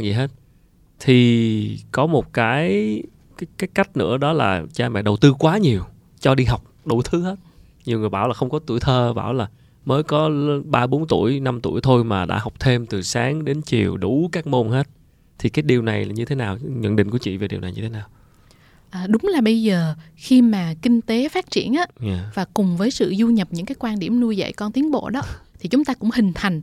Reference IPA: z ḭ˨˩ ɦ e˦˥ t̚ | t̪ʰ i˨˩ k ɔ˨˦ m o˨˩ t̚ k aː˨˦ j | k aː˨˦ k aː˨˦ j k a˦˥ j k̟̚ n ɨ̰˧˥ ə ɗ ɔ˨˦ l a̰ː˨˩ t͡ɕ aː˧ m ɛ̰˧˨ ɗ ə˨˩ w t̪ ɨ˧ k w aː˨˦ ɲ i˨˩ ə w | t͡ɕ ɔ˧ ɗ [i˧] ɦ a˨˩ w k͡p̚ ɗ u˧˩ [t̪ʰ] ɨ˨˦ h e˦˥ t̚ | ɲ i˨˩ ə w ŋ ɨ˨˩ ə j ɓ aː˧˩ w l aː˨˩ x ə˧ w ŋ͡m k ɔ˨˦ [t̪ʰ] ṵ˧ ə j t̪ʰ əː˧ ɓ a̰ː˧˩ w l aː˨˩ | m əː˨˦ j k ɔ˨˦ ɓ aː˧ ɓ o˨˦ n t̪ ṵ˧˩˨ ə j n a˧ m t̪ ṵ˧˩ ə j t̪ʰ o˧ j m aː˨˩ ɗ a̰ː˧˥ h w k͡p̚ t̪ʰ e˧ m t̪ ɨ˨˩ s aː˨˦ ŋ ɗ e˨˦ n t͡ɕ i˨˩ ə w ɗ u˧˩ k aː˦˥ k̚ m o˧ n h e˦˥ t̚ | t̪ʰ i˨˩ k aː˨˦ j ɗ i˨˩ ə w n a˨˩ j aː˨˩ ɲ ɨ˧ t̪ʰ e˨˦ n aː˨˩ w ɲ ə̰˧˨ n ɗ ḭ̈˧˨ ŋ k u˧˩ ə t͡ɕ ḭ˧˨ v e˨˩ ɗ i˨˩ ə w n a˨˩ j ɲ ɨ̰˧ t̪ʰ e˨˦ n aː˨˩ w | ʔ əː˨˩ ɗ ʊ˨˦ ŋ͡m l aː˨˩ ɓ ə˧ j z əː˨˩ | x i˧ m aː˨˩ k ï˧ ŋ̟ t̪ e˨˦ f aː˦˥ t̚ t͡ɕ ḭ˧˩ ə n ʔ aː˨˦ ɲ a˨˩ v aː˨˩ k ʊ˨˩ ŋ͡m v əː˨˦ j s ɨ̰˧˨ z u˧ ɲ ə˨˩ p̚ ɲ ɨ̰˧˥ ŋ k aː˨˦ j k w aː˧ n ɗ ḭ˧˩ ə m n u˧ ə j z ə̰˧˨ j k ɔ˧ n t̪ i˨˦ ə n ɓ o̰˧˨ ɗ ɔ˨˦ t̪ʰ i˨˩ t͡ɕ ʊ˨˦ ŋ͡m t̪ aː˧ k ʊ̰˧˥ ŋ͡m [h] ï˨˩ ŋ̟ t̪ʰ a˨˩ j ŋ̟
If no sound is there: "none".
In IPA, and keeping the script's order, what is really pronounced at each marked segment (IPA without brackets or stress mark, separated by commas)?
i˧, t̪ʰ, t̪, h